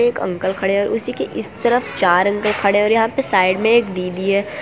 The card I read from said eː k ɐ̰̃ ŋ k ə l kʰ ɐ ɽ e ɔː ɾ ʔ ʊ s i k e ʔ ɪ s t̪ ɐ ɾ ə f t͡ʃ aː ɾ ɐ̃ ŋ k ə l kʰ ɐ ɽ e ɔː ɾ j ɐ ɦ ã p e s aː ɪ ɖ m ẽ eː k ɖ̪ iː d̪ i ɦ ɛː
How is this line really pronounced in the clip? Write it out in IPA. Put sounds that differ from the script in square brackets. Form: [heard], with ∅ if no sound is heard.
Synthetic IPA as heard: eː k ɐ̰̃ ŋ k ə l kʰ ɐ ɽ e ɔː ɾ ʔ ʊ s i k e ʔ ɪ s t̪ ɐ ɾ ə f t͡ʃ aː ɾ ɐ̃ ŋ k ə l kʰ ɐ ɽ e ɔː ɾ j ɐ ɦ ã p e s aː ɪ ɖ m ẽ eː k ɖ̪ iː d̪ i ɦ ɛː